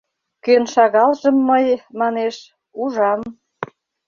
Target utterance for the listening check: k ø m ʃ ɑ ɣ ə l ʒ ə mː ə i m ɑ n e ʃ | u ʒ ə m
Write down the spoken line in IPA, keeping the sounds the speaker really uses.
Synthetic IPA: k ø n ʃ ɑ ɣ ɑ l ʒ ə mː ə j m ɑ n e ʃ | u ʒ ɑ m